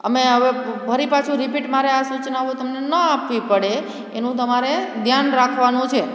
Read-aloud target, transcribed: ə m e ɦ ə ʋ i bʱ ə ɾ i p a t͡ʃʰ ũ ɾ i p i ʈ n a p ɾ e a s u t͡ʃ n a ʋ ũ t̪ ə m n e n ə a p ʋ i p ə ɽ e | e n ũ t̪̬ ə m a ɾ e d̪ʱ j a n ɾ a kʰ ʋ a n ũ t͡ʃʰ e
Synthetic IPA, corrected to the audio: ə m e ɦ ə ʋ e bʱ ə ɾ i p a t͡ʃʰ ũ ɾ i p i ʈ m a ɾ e a s u t͡ʃ n a ʋ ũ t̪ ə m n e n ə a p ʋ i p ə ɽ e | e n ũ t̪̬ ə m a ɾ e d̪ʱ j a n ɾ a kʰ ʋ a n ũ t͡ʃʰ e